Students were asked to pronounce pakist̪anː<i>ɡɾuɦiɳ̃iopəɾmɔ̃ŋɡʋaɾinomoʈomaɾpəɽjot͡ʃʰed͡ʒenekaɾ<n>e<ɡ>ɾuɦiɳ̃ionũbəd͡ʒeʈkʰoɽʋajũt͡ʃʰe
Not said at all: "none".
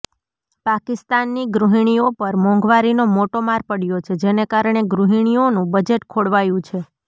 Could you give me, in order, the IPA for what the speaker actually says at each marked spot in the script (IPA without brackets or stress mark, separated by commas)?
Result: i, ɳ, ɡ